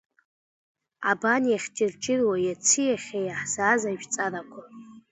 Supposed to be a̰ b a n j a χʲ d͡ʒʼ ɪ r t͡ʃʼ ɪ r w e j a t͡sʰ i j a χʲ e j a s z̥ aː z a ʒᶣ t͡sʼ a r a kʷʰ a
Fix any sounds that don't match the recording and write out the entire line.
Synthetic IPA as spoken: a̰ b a n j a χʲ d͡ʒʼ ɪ r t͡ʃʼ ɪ r w a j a t͡sʰ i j a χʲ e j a ħ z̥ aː z a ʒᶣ t͡sʼ a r a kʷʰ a